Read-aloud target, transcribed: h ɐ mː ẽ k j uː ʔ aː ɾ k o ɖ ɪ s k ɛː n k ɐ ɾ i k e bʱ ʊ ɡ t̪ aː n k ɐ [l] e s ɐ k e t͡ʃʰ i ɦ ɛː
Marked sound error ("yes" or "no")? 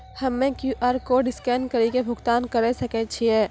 yes